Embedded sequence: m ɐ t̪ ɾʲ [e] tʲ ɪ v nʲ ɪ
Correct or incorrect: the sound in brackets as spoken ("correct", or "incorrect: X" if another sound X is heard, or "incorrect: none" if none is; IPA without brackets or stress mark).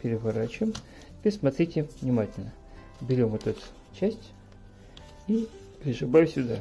incorrect: i